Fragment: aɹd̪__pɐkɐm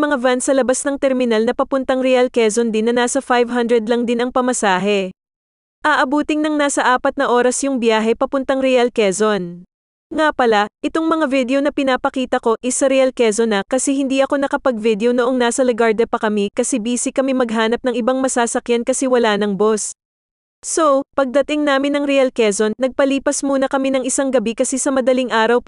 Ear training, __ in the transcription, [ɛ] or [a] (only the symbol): ɛ